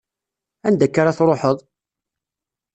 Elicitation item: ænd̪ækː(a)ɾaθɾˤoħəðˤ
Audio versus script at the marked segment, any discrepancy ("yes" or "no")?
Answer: no